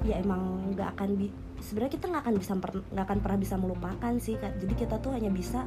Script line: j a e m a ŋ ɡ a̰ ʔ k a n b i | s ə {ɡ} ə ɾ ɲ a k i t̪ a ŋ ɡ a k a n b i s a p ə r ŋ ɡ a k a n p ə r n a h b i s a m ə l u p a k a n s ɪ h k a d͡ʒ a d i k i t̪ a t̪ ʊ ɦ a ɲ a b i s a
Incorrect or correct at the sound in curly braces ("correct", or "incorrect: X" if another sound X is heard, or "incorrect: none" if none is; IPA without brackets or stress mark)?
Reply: incorrect: b